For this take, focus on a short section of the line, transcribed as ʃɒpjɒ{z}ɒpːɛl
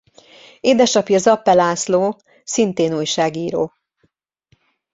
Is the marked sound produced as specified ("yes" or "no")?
yes